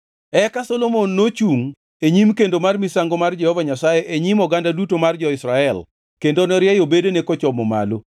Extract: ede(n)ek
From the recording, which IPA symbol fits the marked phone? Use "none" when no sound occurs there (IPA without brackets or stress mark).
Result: n